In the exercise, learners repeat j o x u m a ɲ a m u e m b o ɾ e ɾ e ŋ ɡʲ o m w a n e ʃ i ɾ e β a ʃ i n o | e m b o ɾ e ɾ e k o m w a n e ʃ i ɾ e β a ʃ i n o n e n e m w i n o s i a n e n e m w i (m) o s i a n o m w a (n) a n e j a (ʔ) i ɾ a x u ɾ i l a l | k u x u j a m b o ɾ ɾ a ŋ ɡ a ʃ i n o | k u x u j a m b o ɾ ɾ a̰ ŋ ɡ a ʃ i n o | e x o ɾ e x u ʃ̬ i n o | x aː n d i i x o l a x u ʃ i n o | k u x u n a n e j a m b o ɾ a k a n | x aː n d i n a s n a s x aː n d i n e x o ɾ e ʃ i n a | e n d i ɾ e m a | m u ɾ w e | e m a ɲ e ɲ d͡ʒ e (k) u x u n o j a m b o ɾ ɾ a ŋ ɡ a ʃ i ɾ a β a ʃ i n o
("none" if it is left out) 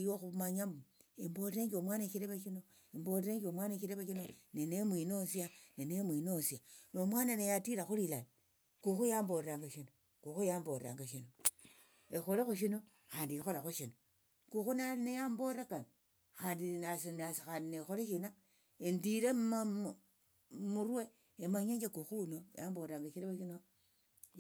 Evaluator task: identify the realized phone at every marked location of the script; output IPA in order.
n, n, t, k

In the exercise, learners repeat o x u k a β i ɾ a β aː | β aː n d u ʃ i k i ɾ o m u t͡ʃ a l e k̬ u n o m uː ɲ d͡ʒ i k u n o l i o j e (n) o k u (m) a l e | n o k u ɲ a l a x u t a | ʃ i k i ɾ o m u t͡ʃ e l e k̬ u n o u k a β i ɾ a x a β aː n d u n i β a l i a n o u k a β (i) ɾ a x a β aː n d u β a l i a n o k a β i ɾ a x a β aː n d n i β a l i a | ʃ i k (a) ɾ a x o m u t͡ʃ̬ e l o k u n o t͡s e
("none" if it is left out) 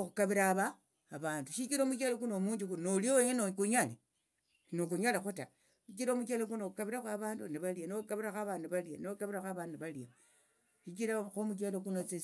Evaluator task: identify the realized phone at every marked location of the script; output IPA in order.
n, ɲ, i, i

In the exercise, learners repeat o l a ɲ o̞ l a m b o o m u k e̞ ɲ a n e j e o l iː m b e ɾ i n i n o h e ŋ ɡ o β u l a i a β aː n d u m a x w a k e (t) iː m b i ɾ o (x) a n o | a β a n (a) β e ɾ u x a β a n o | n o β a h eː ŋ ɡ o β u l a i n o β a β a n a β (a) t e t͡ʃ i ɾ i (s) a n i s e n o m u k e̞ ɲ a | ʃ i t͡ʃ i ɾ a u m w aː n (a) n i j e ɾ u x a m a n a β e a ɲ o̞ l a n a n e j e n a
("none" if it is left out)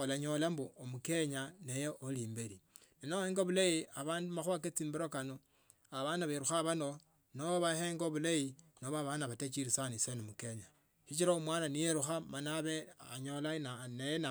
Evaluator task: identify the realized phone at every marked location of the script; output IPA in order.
t͡s, k, a, a, s, a

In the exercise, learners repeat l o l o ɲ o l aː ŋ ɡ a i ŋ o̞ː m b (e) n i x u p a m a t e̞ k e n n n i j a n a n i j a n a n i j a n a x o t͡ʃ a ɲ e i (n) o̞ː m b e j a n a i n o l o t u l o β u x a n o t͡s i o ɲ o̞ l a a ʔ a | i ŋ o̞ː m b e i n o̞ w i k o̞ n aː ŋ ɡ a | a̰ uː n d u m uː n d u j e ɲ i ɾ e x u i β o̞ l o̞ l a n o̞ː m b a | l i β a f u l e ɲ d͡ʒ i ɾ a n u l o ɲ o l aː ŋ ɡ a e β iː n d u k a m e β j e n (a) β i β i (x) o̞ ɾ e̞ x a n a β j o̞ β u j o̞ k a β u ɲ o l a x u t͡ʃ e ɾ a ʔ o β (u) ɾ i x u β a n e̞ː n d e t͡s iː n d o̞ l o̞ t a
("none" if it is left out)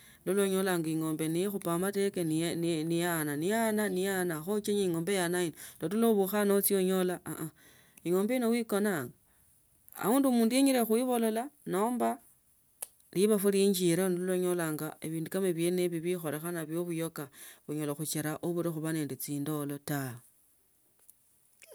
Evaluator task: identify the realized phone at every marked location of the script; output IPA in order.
e, ŋ, e, x, u

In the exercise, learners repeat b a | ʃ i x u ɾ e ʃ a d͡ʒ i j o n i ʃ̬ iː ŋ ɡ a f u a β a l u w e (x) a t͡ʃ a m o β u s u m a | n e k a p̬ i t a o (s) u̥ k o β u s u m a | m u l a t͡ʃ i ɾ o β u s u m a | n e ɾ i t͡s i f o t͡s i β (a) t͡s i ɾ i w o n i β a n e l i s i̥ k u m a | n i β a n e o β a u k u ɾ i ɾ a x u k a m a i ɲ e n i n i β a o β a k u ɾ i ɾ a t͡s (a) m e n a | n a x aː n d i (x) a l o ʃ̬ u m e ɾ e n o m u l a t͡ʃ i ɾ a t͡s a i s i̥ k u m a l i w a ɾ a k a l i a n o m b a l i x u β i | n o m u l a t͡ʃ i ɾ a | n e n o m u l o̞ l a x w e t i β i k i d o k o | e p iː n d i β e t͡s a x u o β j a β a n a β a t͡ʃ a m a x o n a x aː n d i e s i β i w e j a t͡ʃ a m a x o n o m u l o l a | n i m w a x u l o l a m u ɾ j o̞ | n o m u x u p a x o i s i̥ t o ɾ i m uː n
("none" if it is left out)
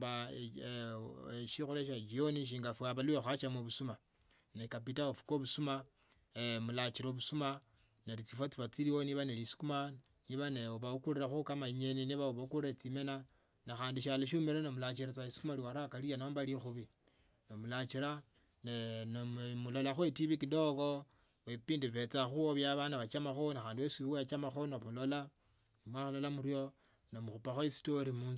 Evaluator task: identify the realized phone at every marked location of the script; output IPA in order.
x, f, a, i, ʃ

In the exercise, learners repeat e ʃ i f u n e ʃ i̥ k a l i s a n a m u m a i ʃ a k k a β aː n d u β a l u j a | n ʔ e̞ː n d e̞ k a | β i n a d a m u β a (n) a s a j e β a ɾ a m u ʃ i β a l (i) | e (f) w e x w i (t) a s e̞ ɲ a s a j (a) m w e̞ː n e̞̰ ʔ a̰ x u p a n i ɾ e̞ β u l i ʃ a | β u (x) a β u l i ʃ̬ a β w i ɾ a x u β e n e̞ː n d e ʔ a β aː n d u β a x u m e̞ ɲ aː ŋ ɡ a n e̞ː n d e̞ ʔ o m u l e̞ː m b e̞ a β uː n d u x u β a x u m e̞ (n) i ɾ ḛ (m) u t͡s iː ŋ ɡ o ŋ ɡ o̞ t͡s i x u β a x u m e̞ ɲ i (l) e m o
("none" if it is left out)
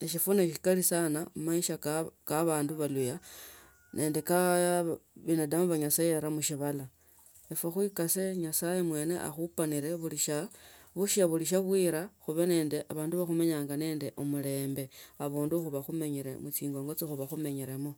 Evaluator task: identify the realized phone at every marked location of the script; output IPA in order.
ɲ, a, f, k, e, ʃ, ɲ, m, ɾ

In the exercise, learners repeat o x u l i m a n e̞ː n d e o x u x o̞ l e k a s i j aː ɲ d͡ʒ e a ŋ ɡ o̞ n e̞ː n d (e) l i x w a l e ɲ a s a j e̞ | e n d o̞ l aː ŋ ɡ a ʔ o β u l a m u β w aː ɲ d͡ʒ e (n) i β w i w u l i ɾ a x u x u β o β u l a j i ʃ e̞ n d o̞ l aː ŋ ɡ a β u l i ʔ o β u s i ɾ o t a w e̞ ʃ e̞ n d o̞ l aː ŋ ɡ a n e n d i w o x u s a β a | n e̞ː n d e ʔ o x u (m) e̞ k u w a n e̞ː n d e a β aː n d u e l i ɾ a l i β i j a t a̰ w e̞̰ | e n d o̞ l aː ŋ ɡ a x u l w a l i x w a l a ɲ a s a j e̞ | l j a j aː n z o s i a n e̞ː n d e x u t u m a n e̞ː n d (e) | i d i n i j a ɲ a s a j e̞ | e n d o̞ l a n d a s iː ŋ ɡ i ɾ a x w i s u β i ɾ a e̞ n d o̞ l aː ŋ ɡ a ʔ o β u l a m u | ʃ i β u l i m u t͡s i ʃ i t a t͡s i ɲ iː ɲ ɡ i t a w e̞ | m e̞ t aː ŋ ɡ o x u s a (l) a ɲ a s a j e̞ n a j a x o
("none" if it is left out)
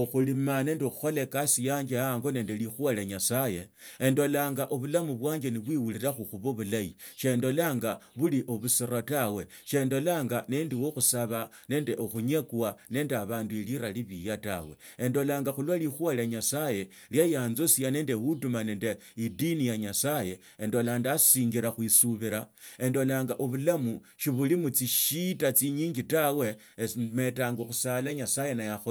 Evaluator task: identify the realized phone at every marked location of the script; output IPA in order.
e, n, ɲ, e, l

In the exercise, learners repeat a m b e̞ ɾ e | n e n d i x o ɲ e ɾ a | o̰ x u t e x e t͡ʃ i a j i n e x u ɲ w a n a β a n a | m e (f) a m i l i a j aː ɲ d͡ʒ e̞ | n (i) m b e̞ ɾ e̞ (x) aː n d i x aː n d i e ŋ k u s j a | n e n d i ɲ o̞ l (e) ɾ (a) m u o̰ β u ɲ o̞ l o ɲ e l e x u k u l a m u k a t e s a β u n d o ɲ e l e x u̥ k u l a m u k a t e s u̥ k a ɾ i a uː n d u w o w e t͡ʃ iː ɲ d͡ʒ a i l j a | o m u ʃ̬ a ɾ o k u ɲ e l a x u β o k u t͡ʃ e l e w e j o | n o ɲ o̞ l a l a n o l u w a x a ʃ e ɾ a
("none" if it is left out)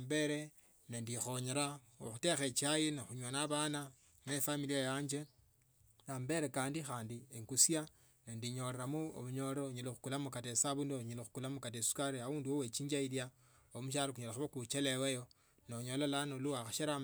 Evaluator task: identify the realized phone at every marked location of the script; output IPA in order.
f, a, k, e, a

